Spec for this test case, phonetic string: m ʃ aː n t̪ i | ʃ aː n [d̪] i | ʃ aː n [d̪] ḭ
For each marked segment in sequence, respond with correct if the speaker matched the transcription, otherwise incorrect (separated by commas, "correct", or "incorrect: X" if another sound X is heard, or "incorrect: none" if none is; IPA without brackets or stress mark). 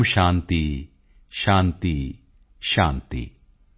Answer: incorrect: t̪, incorrect: t̪